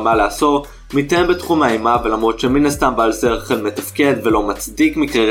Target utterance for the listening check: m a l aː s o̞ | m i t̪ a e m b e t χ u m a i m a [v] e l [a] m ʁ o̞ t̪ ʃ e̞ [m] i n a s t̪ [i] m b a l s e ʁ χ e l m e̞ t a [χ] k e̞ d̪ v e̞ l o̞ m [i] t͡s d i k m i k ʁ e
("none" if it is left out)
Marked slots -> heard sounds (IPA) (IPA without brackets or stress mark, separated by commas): v, a, m, a, f, a